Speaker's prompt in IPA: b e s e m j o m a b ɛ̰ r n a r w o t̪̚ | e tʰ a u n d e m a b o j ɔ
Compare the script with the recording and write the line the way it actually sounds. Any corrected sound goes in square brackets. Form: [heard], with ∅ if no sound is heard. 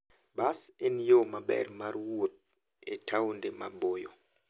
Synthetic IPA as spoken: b [a] s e [n] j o m a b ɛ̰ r [m] a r w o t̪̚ | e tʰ a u n d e m a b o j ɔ